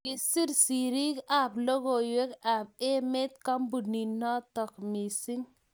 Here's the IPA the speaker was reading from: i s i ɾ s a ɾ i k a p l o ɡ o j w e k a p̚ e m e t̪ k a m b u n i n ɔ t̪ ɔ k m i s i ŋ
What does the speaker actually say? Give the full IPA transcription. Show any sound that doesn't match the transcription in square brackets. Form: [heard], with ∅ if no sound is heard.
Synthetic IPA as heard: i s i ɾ s [i] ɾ i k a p l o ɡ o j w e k a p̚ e m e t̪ k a m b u n i n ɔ t̪ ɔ k m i s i ŋ